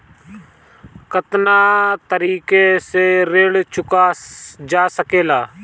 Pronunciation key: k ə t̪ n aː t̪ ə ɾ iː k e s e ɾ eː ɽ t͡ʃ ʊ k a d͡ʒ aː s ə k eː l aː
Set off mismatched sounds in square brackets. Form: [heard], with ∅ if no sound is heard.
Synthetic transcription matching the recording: k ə t̪ n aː t̪ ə ɾ iː k e s e ɾ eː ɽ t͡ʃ ʊ k a d͡ʒ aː s ə k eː l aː